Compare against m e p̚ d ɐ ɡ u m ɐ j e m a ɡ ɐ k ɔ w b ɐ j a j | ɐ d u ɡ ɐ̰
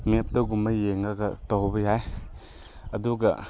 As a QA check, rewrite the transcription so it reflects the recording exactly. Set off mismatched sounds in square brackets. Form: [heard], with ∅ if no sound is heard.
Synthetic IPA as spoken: m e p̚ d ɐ ɡ u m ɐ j e [ŋ] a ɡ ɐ [t] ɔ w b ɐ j a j | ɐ d u ɡ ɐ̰